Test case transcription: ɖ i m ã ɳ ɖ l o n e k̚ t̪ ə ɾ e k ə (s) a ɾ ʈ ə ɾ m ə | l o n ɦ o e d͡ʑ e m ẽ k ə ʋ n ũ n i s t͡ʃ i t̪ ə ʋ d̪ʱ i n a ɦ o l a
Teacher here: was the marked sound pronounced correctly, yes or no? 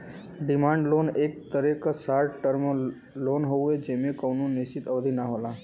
yes